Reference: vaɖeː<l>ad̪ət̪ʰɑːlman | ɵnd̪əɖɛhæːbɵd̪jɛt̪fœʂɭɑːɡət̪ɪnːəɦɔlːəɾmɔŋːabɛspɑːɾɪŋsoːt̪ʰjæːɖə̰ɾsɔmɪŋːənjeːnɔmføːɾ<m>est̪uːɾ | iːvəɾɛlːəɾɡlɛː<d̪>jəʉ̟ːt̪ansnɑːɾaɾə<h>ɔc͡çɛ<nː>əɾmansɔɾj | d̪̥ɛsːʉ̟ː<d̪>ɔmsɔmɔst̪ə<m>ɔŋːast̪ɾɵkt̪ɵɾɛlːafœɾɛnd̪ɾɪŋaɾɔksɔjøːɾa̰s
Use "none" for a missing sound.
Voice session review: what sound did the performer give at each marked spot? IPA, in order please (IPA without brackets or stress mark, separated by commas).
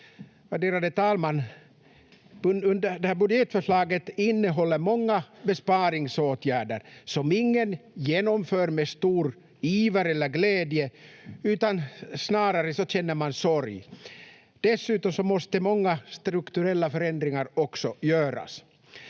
ɾ, m, d̪, s, nː, t̪, m